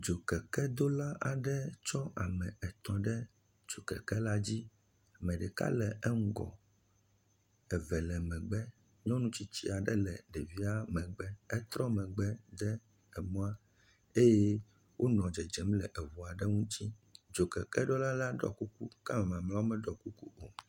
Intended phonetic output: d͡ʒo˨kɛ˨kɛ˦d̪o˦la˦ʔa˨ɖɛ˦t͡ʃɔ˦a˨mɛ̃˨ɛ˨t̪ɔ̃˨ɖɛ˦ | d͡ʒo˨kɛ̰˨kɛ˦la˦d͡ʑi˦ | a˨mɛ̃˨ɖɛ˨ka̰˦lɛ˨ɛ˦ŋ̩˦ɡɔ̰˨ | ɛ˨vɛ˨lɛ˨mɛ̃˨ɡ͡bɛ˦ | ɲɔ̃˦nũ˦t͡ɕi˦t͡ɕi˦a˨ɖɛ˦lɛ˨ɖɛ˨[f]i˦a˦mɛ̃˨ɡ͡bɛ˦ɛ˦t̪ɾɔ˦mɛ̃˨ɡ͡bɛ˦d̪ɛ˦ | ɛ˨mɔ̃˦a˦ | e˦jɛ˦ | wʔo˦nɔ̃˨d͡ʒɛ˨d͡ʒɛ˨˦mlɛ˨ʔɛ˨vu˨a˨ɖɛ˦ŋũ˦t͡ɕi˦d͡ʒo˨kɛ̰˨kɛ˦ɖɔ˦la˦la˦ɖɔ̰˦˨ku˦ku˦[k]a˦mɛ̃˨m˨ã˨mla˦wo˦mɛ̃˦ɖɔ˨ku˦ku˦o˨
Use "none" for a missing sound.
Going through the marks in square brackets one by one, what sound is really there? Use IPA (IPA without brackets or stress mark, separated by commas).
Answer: v, k